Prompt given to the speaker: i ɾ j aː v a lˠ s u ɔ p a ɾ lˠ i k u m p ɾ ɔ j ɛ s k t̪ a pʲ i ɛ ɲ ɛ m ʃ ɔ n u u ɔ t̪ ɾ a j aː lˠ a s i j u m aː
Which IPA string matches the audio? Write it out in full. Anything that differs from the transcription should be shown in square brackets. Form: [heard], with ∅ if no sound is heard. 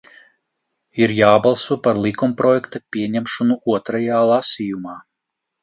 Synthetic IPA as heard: i ɾ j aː [b] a lˠ s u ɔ p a ɾ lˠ i k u m p ɾ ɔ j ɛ [∅] k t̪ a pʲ i ɛ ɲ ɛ m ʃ ɔ n u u ɔ t̪ ɾ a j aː lˠ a s i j u m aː